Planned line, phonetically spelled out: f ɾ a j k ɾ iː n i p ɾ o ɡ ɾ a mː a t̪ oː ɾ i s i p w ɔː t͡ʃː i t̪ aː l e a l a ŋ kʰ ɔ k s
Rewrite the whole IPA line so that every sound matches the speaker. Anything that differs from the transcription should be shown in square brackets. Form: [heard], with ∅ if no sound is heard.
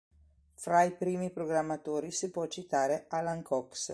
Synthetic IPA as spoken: f ɾ a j [p] ɾ iː [m] i p ɾ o ɡ ɾ a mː a t̪ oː ɾ i s i p w [ɔ] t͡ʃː i t̪ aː [ɾ] e a l a ŋ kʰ ɔ k s